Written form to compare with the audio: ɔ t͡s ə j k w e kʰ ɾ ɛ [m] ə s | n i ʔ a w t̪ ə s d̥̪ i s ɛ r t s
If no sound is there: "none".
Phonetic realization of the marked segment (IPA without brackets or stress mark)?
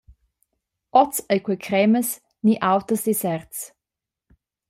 m